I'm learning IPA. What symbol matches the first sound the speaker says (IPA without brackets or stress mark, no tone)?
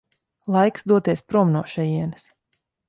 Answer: lˠ